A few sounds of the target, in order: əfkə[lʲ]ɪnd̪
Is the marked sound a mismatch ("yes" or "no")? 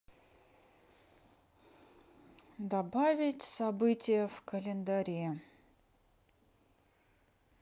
no